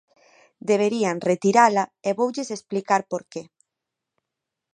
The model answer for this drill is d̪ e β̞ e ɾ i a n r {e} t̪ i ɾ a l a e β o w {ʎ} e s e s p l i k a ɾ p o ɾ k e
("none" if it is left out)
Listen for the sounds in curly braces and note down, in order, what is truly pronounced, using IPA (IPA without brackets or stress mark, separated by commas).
e, ʎ